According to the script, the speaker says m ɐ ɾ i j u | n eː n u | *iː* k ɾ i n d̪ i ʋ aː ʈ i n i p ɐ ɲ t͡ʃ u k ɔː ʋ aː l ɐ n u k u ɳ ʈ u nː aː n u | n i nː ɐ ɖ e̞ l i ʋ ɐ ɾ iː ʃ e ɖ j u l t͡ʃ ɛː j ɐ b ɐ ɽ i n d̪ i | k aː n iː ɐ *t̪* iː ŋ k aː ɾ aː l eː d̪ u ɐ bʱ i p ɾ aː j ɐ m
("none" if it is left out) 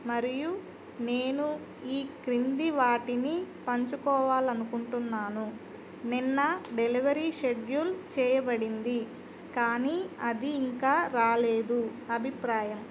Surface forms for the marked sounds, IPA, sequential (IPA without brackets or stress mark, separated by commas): iː, d̪